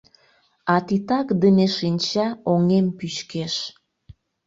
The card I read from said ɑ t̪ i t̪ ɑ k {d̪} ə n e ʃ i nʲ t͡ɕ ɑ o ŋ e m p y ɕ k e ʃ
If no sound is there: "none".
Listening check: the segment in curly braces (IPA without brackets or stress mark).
d̪